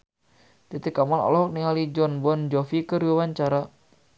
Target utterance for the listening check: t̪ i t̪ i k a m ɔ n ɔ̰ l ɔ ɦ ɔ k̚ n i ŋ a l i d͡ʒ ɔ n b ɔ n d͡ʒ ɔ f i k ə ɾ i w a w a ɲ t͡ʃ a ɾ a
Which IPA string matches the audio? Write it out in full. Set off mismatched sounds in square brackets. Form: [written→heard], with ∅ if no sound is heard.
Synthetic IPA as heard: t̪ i t̪ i k a m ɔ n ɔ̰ l ɔ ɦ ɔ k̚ n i ŋ a l i d͡ʒ ɔ n b ɔ n d͡ʒ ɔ f i k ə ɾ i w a w a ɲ t͡ʃ a ɾ a